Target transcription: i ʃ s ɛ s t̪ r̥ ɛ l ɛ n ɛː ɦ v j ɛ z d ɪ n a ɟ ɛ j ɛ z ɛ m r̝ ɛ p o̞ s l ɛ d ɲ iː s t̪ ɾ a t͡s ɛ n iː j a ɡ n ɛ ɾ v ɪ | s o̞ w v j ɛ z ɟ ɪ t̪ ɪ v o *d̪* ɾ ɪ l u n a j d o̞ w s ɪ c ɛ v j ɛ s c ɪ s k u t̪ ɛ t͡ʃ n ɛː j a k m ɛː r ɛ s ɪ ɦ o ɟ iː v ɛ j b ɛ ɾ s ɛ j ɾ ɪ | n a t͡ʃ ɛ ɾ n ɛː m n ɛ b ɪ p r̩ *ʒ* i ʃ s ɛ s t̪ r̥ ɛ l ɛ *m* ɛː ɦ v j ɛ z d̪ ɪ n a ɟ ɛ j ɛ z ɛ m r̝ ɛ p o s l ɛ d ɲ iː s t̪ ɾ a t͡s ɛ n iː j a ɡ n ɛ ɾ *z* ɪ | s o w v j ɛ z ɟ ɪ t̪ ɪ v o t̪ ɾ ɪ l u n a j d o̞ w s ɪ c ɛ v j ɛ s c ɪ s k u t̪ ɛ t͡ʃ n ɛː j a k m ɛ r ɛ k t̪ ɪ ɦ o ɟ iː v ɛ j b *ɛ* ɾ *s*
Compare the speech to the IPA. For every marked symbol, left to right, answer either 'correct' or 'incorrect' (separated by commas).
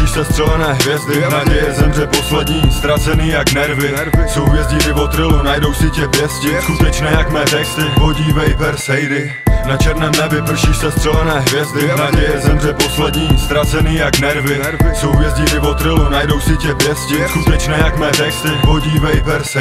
incorrect, incorrect, incorrect, incorrect, correct, correct